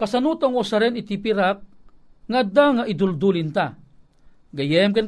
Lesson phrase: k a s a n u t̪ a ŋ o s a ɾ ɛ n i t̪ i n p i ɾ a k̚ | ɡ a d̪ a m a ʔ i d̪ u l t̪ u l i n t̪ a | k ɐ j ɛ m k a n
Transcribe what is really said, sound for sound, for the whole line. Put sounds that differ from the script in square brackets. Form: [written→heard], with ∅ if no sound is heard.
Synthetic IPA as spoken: k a s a n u t̪ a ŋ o s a ɾ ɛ n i t̪ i [n→∅] p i ɾ a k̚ | [ɡ→ŋ] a d̪ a [m→ŋ] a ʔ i d̪ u l [t̪→d̪] u l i n t̪ a | [k→ɡ] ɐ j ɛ m k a n